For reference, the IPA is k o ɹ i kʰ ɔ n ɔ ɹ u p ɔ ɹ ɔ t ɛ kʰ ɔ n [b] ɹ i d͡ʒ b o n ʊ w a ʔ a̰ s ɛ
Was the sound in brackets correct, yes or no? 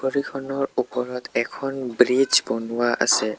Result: yes